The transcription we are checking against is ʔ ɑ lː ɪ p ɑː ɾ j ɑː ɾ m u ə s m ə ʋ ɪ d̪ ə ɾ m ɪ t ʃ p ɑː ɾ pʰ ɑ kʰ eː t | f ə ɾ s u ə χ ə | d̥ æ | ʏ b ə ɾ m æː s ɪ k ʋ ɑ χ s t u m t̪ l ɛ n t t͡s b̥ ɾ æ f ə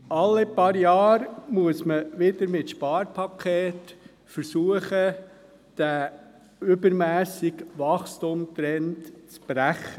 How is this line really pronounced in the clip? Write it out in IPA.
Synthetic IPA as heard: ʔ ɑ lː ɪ p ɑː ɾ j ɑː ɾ m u ə s m ə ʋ ɪ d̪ ə ɾ m ɪ t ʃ p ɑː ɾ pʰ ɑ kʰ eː t | f ə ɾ s u ə χ ə | d̥ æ | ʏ b ə ɾ m æː s ɪ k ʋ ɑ χ s t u m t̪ ɾ ɛ n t t͡s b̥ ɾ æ χ ə